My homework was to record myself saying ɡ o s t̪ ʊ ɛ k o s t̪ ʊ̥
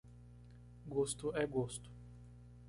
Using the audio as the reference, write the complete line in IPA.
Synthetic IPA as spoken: ɡ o s t̪ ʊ ɛ ɡ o s t̪ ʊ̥